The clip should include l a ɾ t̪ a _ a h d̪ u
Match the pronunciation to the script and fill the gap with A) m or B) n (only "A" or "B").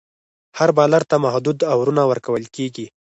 A